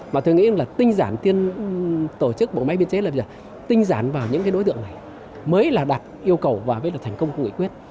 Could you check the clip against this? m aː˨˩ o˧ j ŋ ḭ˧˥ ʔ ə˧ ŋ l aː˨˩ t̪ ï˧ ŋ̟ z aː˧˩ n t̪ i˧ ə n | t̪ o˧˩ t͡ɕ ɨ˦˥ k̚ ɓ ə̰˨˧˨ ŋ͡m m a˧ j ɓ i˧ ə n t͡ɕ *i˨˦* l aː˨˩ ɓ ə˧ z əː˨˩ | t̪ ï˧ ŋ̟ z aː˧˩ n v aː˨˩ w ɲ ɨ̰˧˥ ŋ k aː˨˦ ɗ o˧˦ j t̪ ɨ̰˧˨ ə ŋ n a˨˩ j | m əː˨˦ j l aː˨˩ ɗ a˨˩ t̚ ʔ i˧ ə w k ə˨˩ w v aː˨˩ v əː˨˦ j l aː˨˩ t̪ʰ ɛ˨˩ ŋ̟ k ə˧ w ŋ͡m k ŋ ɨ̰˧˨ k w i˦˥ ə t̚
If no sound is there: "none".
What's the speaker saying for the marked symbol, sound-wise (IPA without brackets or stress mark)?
e˨˦